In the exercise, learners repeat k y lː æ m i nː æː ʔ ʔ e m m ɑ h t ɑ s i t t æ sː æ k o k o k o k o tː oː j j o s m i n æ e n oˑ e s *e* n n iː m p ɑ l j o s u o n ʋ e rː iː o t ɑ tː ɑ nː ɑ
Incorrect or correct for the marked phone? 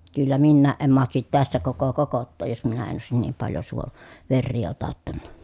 incorrect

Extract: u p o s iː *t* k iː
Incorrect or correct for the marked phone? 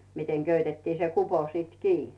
correct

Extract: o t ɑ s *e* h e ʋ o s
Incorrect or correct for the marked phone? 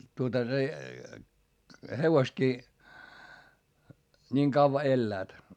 correct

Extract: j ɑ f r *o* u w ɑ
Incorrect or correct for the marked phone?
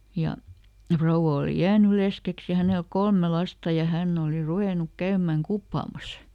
correct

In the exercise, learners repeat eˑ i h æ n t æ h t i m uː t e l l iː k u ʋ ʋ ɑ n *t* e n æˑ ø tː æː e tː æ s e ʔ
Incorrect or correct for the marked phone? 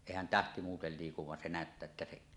incorrect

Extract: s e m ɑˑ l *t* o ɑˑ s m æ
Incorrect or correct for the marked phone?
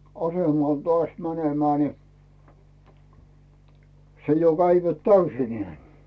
correct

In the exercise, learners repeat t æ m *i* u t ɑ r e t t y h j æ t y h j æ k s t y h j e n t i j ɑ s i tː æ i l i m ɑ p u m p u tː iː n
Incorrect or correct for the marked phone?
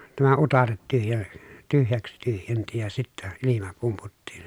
incorrect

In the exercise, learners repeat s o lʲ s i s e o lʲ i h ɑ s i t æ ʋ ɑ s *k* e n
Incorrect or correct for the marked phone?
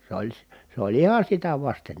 incorrect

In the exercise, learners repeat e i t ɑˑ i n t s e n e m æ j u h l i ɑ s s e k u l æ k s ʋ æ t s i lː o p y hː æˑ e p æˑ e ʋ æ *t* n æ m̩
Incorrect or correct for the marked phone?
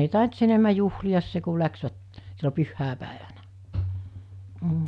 incorrect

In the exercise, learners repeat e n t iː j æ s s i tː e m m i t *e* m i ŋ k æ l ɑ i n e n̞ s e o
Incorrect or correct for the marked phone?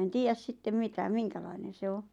incorrect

